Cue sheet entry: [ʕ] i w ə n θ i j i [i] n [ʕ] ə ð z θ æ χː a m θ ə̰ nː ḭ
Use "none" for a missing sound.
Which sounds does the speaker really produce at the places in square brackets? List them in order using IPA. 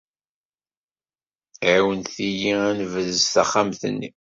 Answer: ʕ, æ, v

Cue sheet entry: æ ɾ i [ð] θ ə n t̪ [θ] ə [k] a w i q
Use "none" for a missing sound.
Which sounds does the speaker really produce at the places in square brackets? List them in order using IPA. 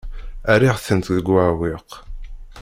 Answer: ʁ, ð, ɡ

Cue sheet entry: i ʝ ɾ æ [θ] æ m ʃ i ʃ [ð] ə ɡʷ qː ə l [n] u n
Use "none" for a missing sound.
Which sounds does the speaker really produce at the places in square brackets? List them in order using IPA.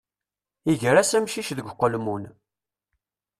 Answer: s, ð, m

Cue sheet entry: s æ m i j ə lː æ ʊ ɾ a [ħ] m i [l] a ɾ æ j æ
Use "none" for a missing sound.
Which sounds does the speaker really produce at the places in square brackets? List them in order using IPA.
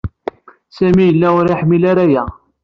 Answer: ħ, l

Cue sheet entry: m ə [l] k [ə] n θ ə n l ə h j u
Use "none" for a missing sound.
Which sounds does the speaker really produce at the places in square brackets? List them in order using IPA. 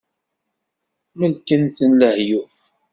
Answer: l, ə

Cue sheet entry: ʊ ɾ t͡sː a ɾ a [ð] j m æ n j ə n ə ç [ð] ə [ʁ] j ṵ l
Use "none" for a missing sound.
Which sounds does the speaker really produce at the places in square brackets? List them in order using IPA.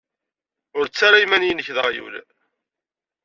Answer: none, ð, ʁ

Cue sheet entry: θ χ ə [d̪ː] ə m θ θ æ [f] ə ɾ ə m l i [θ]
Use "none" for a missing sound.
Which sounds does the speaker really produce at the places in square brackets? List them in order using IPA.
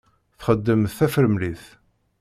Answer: d̪ː, f, θ

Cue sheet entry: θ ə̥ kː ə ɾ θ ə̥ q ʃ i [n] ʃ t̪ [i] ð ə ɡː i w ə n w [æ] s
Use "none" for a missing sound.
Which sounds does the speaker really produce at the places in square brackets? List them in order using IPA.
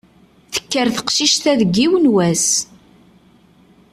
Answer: none, æ, æ

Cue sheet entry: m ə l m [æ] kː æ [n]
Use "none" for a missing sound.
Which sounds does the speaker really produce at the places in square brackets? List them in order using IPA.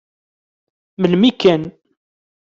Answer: i, n

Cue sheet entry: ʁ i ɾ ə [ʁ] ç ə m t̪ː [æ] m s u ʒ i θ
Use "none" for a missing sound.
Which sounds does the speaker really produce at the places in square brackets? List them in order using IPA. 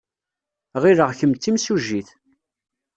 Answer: ʁ, i

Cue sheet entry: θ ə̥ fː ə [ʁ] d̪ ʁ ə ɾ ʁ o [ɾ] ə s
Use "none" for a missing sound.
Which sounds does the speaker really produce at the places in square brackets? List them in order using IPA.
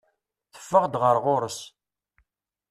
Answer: ʁ, ɾ

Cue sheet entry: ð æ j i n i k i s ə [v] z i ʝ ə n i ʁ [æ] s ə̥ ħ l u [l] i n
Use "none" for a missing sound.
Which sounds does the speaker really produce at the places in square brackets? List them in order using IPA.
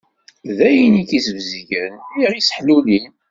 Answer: v, i, l

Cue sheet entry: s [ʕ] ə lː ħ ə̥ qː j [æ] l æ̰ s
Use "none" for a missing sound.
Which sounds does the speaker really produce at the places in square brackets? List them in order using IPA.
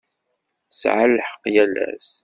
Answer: ʕ, æ

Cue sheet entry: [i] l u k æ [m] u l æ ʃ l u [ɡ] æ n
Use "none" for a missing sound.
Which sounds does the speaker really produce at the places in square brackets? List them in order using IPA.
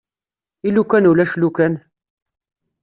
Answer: i, n, k

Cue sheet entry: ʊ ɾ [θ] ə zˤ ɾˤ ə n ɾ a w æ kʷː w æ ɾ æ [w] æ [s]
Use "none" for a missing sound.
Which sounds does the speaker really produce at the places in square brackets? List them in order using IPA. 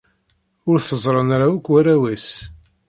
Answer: θ, w, s

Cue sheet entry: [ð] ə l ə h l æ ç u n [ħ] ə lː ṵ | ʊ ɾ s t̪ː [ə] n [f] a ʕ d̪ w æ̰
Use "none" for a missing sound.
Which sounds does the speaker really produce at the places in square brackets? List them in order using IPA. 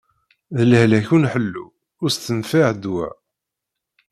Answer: ð, ħ, ə, f

